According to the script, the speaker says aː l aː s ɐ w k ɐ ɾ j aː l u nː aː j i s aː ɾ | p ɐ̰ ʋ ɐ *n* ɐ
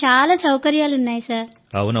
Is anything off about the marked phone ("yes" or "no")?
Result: no